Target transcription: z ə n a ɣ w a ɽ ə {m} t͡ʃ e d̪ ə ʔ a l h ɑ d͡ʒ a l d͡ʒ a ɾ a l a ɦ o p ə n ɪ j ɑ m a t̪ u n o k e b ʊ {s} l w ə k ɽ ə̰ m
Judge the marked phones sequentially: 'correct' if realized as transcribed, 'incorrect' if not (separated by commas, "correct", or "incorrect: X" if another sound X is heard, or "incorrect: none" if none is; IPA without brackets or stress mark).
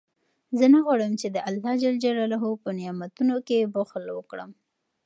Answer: correct, incorrect: x